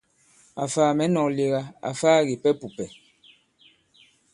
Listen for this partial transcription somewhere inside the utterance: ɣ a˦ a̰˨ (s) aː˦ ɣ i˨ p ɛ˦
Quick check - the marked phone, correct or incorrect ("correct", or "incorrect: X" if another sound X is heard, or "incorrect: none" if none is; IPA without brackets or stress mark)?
incorrect: f